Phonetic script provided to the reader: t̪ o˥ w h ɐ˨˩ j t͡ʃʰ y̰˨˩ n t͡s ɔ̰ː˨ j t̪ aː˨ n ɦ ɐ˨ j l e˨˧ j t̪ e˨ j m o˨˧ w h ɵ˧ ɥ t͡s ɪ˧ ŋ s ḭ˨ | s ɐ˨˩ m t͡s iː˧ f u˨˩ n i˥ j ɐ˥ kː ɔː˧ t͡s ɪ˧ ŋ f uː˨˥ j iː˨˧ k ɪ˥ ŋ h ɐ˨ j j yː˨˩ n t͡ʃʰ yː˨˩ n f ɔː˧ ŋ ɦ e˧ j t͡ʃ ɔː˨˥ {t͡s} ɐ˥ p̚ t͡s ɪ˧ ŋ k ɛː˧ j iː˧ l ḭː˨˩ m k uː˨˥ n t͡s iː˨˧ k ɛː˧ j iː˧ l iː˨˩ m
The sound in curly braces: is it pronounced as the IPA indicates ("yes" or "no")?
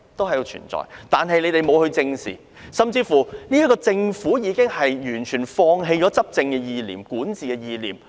yes